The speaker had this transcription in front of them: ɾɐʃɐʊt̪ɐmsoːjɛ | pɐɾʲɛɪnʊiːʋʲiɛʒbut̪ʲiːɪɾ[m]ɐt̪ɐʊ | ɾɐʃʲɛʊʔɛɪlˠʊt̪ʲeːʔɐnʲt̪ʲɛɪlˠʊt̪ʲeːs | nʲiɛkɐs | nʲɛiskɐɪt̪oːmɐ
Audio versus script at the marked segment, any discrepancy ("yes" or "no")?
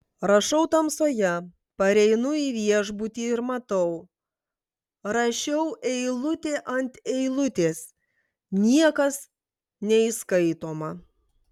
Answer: no